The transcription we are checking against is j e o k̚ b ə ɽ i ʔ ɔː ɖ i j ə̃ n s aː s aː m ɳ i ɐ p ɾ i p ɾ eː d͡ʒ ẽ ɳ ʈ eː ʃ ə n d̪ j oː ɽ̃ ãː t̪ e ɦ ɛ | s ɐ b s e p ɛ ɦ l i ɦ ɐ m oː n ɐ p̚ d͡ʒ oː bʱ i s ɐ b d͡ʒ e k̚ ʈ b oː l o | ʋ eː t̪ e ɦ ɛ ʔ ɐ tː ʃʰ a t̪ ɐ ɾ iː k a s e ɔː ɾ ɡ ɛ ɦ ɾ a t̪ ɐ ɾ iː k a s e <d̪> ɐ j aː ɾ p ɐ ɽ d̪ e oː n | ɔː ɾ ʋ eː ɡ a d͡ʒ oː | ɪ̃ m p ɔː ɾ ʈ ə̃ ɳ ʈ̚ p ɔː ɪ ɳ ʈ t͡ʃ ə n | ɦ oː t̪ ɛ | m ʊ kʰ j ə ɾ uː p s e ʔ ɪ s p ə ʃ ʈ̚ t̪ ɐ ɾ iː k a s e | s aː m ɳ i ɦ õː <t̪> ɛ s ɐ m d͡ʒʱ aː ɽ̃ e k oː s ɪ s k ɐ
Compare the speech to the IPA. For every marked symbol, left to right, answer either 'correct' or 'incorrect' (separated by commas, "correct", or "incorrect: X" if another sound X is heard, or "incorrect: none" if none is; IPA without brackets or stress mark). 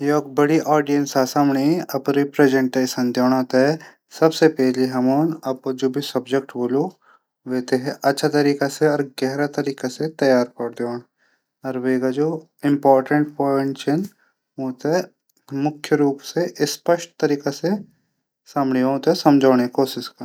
incorrect: t̪, correct